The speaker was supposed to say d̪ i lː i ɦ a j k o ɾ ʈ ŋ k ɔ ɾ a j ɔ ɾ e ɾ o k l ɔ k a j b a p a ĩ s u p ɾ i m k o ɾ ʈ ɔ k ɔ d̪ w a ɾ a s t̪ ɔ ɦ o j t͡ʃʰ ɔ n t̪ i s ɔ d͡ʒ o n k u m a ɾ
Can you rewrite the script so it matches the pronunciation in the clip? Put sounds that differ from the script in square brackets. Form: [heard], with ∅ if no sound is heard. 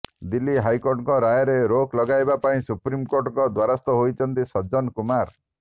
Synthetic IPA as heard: d̪ i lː i ɦ a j k o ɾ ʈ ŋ k ɔ ɾ a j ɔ ɾ e ɾ o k l ɔ [ɡ] a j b a p a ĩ s u p ɾ i m k o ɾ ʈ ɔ k ɔ d̪ w a ɾ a s t̪ ɔ ɦ o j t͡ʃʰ ɔ n t̪ i s ɔ d͡ʒ [ɔ] n k u m a ɾ